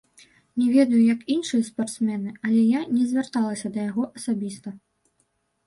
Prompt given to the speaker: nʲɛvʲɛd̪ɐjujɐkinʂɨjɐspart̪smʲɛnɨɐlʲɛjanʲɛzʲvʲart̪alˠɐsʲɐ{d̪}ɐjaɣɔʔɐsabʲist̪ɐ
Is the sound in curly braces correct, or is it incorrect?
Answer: correct